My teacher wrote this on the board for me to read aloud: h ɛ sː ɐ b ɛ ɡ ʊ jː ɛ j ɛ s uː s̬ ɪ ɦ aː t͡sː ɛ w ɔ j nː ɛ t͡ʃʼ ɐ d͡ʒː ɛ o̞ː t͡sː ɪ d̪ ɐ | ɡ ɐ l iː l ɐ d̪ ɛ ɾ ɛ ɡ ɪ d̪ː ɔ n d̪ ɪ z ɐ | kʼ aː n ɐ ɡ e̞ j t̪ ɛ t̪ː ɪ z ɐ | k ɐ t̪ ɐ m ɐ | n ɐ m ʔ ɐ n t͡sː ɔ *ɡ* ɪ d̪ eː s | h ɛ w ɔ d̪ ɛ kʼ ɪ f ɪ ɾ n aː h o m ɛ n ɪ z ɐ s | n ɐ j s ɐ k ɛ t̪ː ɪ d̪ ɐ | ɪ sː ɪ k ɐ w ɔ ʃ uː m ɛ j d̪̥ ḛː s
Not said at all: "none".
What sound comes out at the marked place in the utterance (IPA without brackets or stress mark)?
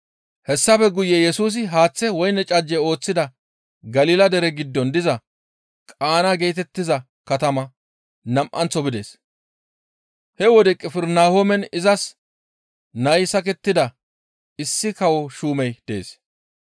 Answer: b